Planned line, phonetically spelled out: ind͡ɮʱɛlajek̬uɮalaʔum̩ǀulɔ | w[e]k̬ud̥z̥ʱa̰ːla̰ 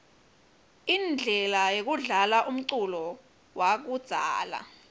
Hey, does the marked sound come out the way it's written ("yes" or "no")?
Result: no